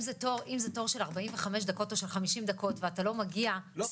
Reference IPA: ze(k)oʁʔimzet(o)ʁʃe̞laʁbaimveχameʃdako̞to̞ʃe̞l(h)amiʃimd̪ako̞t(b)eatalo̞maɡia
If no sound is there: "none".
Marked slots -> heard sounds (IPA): t, o, χ, v

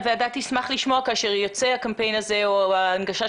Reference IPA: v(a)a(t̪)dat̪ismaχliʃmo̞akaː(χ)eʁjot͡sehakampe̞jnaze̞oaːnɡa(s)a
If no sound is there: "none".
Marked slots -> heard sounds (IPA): e, none, ʃ, ʃ

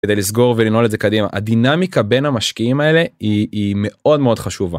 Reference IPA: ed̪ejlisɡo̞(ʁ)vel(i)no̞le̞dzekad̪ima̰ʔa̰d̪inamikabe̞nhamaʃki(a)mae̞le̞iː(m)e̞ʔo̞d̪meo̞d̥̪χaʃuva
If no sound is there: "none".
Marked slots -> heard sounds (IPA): ʁ, i, i, m

